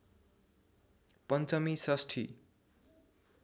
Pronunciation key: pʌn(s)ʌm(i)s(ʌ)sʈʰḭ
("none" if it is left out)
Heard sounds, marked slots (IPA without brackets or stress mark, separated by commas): t͡s, i, ʌ